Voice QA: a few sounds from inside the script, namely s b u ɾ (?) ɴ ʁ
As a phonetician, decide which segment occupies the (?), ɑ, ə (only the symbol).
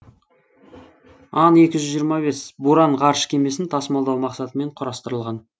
ɑ